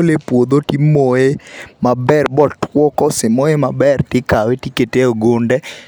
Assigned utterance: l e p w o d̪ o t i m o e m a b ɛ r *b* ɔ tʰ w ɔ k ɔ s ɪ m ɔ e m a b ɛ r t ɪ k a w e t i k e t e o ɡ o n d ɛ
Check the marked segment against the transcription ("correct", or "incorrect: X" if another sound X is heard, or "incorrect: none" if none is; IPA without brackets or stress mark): correct